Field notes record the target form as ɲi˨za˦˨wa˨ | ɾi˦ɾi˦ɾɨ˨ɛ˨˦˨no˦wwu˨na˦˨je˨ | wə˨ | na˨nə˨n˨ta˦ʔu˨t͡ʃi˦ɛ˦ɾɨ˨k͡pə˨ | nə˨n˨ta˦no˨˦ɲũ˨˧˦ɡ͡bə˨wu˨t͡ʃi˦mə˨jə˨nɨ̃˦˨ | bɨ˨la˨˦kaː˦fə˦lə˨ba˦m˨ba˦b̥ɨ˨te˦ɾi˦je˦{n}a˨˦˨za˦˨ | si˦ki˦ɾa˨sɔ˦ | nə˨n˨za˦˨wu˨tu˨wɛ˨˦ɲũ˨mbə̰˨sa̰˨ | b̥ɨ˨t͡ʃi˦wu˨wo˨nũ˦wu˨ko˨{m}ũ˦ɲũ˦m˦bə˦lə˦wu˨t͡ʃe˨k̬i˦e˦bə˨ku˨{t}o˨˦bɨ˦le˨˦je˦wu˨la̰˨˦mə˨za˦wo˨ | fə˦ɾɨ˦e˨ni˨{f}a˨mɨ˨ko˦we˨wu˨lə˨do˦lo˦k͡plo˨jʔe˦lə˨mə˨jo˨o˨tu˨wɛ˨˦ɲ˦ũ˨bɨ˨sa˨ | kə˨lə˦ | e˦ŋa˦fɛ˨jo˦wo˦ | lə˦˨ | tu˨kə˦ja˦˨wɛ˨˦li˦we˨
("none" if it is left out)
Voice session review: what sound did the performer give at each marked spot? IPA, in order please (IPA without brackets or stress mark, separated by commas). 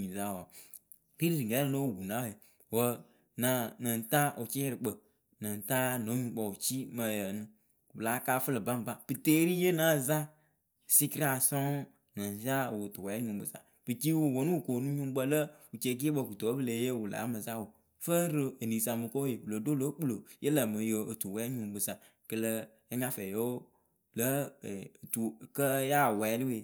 n, n, t, s